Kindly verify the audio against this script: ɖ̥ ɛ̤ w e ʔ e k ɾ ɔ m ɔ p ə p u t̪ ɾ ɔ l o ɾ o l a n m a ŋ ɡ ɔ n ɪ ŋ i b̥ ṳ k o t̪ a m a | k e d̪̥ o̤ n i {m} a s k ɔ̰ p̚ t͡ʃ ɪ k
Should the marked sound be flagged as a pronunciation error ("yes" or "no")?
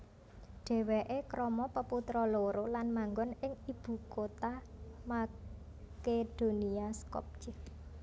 yes